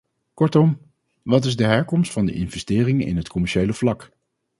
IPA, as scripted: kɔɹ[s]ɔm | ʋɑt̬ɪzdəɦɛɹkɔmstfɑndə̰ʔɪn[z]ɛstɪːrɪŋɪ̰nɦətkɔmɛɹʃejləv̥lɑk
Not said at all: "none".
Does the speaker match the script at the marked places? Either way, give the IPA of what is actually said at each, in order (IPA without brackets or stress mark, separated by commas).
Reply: t, v